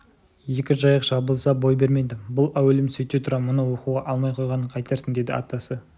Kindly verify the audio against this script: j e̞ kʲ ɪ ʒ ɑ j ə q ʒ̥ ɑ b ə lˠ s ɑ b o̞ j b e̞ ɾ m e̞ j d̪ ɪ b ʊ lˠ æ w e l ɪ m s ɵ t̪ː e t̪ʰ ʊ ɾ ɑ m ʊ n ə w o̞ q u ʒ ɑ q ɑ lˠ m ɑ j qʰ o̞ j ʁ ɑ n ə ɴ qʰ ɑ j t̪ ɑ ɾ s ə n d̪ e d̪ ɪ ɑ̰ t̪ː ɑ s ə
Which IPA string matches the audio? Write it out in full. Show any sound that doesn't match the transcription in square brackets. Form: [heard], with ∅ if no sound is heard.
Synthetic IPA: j e̞ kʲ ɪ ʒ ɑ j ə q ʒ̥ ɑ b ə lˠ s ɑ b o̞ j b e̞ ɾ m e̞ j d̪ ɪ b ʊ lˠ æ w e l ɪ m s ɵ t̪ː e t̪ʰ ʊ ɾ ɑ m ʊ n ə w o̞ q u [ʁ] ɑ [ʔ] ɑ lˠ m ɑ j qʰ o̞ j ʁ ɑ n ə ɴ qʰ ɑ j t̪ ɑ ɾ s ə n d̪ e d̪ ɪ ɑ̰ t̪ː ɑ s ə